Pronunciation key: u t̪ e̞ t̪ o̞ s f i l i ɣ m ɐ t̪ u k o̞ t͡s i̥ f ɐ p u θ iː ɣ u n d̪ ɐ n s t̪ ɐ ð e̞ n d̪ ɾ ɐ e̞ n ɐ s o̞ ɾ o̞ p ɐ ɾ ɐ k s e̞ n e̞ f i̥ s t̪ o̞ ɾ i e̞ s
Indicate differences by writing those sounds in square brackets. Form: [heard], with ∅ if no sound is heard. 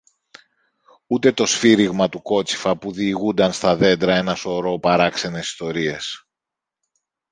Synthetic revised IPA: u t̪ e̞ t̪ o̞ s f i [ɾ] i ɣ m ɐ t̪ u k o̞ t͡s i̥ f ɐ p u [ð] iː ɣ u n d̪ ɐ n s t̪ ɐ ð e̞ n d̪ ɾ ɐ e̞ n ɐ s o̞ ɾ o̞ p ɐ ɾ ɐ k s e̞ n e̞ [s] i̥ s t̪ o̞ ɾ i e̞ s